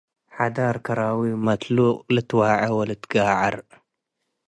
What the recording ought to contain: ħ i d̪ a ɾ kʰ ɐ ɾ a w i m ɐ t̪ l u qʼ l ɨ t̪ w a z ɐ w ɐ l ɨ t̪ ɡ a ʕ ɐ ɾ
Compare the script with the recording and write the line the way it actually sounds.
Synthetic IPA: ħ a d̪ a ɾ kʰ ɐ ɾ a w i m ɐ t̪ l u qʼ l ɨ t̪ w a ʕ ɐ w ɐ l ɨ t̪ ɡ a ʕ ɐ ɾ